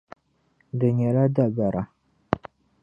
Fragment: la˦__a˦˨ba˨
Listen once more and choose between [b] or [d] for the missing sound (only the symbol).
d